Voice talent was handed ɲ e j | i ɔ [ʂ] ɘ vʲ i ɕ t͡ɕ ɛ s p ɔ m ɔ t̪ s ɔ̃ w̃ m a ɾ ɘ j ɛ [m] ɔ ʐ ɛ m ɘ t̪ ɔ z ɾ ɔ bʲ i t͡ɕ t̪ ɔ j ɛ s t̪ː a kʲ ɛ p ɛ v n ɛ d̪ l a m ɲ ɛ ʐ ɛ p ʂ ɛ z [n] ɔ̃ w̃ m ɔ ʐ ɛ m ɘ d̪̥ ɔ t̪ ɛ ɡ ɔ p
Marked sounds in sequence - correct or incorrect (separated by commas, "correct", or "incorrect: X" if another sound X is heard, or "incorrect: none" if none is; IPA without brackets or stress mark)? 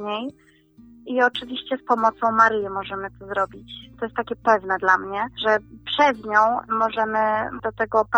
incorrect: t͡ʂ, correct, incorrect: ɲ